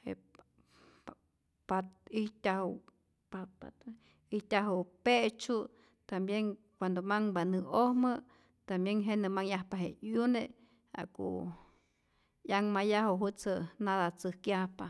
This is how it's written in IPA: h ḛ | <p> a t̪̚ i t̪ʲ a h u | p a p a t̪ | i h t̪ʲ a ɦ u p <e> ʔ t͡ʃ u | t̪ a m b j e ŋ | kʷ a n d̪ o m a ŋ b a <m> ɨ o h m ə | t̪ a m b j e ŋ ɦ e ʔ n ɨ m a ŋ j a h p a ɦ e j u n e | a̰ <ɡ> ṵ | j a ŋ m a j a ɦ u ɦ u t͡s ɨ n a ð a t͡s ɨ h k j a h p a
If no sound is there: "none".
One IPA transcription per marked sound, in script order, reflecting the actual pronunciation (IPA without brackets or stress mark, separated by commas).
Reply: p, e, n, k